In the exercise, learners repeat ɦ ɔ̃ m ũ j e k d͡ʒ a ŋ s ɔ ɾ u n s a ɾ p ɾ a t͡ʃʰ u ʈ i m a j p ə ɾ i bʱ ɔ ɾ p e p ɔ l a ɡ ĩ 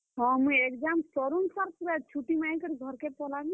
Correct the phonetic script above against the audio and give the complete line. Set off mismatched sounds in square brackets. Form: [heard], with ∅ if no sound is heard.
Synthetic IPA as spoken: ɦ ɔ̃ m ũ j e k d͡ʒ a [m] s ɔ ɾ u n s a ɾ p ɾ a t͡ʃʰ u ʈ i m a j [k] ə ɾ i [ɡʱ] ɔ ɾ [k] e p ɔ l a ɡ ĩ